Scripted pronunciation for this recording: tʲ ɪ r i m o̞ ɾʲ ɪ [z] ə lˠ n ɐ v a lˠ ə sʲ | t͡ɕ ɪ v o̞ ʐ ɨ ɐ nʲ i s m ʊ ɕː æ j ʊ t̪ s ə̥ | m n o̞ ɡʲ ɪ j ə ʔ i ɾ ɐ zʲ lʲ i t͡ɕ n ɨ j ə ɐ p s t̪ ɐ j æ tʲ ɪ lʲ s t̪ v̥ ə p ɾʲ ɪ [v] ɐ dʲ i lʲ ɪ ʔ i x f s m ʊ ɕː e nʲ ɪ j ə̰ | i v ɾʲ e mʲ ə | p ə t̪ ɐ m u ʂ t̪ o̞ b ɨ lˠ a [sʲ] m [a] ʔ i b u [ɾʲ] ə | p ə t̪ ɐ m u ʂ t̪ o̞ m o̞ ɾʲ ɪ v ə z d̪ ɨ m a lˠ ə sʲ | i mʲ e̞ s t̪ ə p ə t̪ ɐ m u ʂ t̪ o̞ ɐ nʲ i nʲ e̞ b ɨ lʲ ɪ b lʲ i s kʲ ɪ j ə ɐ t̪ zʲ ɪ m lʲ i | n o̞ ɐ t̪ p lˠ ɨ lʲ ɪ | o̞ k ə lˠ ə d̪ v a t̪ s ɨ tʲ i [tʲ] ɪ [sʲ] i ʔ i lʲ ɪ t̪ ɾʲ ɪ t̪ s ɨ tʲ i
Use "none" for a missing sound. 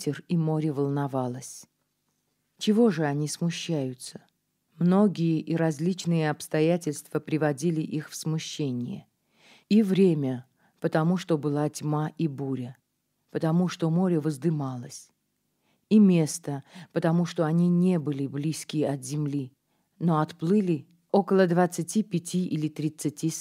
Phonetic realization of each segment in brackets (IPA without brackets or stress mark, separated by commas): v, v, tʲ, a, ɾʲ, pʲ, tʲ